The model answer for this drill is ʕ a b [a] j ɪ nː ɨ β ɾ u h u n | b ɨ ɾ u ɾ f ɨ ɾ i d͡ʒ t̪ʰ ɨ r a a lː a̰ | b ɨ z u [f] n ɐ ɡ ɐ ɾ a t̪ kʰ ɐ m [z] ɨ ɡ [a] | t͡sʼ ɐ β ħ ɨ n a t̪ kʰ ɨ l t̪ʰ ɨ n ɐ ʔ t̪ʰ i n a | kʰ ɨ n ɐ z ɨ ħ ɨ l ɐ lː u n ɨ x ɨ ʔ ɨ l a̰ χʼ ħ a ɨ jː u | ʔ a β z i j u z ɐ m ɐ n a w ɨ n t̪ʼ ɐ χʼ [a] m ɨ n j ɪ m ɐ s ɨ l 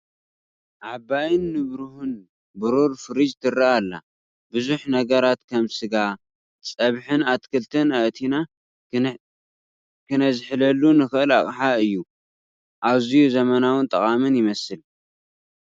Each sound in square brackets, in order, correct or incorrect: correct, incorrect: ħ, incorrect: s, correct, correct

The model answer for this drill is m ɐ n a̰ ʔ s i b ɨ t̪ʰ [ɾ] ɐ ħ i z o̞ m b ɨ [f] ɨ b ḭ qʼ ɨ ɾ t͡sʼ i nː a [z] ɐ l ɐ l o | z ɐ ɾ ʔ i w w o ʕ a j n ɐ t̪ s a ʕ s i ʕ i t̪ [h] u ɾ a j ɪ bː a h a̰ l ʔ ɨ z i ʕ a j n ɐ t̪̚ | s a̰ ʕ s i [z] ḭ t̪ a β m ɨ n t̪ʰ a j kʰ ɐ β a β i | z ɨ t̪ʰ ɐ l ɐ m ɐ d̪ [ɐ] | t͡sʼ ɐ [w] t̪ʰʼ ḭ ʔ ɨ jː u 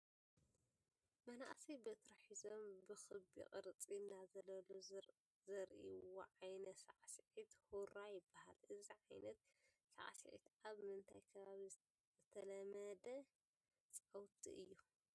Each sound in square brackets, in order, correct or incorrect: correct, incorrect: x, correct, correct, incorrect: ʕ, correct, correct

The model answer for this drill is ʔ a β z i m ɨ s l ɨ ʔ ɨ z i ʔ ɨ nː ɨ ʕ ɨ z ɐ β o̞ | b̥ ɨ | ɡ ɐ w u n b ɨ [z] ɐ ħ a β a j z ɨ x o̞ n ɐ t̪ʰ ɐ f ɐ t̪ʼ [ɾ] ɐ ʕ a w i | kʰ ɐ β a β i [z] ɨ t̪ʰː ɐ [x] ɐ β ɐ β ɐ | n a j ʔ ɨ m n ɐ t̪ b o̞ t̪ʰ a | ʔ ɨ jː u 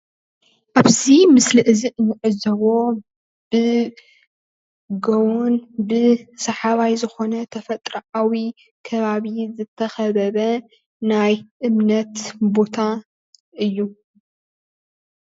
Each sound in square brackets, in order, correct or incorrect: incorrect: s, correct, correct, correct

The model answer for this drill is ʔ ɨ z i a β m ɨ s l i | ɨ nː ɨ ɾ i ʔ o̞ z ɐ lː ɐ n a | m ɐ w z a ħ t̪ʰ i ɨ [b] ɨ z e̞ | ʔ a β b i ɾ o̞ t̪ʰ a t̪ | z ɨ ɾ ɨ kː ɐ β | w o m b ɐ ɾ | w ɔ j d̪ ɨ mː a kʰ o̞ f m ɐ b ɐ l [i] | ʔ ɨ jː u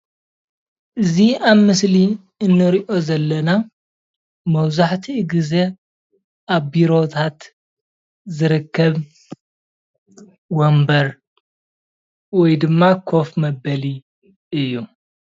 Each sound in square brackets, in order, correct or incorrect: incorrect: ɡ, correct

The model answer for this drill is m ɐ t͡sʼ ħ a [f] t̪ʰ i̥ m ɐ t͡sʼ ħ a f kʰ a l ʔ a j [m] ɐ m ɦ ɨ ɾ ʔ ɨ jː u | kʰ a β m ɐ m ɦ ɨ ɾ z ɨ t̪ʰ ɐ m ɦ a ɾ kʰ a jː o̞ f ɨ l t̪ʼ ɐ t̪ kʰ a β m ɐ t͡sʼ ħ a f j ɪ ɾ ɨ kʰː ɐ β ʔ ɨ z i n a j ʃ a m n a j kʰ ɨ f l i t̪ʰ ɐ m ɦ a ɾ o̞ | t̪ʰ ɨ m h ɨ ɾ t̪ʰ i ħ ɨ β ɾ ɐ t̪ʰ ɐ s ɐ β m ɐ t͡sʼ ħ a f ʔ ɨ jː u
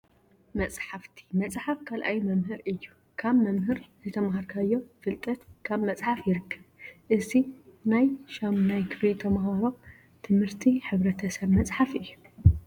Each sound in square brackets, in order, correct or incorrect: correct, correct

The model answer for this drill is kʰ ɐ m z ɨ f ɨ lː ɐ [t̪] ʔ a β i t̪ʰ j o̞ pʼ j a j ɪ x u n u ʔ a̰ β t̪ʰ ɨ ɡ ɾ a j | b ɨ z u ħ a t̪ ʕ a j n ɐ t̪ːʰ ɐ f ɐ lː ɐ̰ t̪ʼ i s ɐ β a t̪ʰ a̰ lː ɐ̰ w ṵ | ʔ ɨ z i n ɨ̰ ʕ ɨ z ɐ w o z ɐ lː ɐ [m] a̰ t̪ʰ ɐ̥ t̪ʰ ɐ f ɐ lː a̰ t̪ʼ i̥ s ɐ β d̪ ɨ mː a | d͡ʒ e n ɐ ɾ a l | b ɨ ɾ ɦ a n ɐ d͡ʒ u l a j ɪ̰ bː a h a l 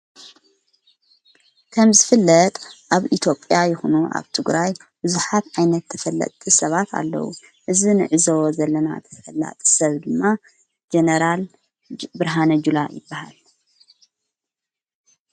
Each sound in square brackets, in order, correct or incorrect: incorrect: t̪ʼ, incorrect: n

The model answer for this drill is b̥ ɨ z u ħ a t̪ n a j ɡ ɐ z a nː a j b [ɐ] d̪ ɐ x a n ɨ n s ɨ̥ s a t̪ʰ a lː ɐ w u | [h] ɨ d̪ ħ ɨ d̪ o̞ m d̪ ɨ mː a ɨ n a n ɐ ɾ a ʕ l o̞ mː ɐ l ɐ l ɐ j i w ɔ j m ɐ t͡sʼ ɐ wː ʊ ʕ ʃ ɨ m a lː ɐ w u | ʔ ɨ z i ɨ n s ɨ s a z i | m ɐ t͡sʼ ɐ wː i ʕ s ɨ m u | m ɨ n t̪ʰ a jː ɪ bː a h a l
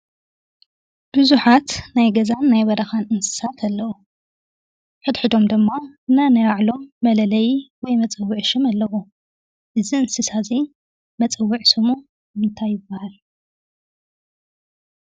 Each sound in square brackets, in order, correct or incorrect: correct, incorrect: ħ

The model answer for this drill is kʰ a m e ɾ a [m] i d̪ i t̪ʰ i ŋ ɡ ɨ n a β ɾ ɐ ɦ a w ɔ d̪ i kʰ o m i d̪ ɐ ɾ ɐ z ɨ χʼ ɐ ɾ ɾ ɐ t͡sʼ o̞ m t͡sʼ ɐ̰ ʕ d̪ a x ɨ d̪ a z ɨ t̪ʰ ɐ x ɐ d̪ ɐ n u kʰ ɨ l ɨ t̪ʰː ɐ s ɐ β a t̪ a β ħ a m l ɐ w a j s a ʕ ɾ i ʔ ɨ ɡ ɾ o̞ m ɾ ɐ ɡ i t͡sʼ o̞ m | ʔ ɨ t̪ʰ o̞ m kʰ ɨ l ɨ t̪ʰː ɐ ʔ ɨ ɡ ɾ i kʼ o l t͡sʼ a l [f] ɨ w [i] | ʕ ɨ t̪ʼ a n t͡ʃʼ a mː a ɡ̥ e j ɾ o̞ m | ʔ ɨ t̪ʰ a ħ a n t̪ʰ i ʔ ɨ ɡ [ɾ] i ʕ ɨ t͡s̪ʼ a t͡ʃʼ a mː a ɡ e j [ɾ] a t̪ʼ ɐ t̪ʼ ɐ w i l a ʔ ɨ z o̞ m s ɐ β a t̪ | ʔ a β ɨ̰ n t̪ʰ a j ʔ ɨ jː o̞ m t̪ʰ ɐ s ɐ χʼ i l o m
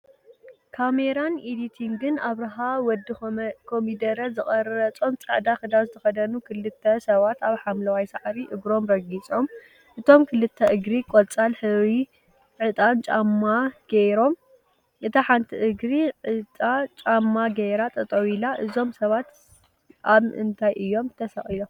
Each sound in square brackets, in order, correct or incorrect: incorrect: n, incorrect: ħ, correct, correct, correct

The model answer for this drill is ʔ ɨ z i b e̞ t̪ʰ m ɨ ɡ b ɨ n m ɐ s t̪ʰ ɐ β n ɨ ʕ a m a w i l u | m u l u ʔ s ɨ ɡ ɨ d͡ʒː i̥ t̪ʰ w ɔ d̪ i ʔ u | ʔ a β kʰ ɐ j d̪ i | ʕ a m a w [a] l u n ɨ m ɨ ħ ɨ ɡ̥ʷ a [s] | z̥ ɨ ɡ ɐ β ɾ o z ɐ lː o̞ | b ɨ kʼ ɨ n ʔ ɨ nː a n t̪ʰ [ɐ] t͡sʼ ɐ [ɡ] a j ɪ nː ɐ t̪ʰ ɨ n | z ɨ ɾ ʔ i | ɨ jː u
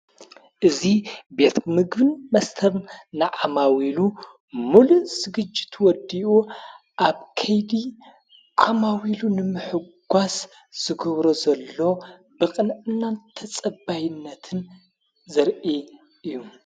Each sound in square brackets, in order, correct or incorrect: incorrect: i, correct, correct, incorrect: b

